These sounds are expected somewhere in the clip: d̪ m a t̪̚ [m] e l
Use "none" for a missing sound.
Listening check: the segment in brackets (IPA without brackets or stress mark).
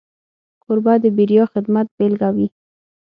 b